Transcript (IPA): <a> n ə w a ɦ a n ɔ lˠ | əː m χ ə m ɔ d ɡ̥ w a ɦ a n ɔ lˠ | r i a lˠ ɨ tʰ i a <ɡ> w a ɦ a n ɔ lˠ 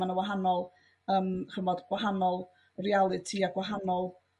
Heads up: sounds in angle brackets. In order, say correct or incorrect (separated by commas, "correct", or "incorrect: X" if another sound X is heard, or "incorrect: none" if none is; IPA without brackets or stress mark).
correct, correct